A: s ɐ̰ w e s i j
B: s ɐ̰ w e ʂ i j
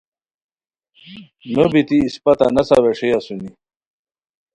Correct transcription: B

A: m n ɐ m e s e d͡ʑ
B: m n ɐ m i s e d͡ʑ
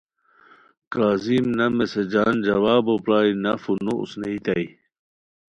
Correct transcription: A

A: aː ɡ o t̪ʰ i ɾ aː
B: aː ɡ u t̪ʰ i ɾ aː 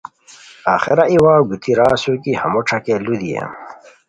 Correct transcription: B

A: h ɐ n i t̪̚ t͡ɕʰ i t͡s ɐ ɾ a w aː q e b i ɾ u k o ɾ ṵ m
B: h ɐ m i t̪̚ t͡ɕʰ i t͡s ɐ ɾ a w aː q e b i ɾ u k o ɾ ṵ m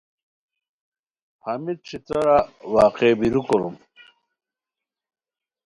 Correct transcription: B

